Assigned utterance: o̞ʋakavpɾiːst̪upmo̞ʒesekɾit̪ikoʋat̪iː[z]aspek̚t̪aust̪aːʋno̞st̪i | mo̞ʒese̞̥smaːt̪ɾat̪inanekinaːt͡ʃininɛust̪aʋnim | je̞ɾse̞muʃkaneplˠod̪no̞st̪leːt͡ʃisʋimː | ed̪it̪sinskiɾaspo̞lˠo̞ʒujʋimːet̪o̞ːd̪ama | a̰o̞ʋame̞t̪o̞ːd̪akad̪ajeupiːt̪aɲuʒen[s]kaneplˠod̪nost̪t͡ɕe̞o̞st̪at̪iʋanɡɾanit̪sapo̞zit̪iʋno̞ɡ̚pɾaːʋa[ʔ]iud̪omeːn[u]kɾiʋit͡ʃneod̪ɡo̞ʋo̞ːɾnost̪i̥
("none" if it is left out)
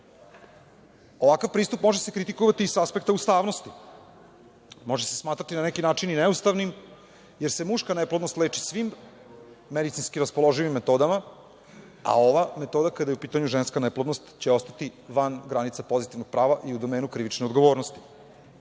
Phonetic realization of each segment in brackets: s, s, ʔ, u

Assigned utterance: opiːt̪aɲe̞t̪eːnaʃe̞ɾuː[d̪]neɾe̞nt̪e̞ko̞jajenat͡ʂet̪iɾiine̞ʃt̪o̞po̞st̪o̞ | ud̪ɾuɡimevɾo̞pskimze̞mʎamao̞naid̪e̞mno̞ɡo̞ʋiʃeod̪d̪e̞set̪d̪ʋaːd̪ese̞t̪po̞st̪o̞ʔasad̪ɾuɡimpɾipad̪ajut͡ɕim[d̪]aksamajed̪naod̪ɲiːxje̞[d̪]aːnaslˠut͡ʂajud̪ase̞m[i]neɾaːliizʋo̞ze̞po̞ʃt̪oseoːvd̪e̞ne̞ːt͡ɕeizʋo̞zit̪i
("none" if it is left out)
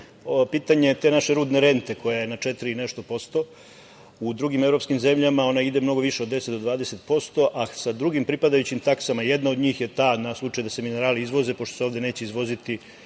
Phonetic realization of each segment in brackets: d̪, t̪, t̪, i

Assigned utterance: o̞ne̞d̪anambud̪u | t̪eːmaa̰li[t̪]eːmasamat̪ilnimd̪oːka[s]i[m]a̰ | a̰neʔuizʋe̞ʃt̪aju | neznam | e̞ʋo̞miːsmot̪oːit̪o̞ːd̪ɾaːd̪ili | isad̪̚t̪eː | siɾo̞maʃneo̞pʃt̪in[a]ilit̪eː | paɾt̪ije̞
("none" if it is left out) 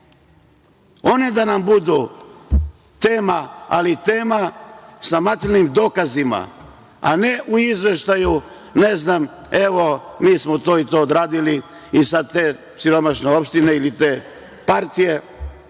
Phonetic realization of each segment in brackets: t̪, z, m, e

